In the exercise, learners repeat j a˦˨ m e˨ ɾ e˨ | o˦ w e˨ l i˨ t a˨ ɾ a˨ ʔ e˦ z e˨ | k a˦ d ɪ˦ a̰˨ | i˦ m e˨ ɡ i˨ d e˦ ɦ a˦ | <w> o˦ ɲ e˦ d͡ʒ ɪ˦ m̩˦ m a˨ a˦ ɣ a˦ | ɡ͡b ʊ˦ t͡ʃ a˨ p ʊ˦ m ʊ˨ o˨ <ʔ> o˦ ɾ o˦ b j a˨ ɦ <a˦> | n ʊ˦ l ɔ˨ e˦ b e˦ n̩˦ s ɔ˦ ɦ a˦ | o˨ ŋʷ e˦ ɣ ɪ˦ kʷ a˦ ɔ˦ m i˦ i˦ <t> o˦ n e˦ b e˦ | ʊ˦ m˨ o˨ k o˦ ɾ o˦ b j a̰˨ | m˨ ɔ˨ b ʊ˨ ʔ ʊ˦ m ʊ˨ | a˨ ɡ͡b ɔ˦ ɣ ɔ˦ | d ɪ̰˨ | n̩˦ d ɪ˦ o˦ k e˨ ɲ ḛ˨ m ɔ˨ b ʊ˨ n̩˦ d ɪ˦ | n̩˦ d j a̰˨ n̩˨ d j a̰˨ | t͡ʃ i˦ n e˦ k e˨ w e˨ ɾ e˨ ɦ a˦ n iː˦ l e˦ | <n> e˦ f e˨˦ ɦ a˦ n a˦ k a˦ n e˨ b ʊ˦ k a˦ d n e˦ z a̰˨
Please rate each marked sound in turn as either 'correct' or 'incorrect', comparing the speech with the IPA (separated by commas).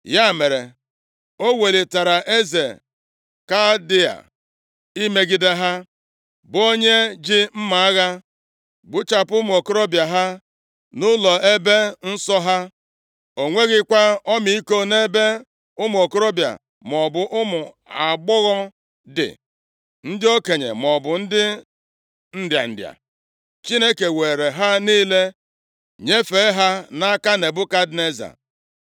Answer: incorrect, incorrect, correct, incorrect, incorrect